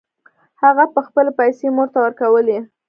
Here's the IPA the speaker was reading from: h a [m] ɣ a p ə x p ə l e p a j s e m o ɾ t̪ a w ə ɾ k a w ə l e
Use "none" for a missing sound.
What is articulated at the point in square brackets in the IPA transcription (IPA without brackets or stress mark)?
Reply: none